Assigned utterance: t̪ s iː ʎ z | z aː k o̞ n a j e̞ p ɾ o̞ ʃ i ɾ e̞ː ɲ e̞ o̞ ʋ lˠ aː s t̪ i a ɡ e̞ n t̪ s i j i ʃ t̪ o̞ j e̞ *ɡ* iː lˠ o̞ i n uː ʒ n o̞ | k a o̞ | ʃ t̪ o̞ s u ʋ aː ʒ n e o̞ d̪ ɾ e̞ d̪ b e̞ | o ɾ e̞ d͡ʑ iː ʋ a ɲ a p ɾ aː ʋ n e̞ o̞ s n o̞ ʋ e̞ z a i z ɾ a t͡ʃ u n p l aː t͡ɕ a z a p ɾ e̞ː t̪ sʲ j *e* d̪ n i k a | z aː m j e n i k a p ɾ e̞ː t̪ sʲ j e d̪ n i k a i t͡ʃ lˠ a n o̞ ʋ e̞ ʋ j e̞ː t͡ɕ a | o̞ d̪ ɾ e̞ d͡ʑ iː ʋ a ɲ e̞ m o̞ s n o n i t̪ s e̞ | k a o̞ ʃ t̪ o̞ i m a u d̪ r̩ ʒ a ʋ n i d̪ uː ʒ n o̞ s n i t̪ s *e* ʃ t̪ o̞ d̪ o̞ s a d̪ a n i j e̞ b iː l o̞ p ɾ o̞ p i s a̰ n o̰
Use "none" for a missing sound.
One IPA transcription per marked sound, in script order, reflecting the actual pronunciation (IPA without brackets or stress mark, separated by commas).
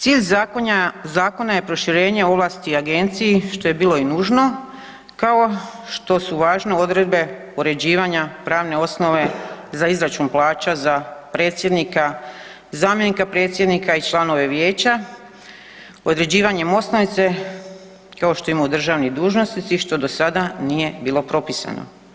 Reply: b, e, i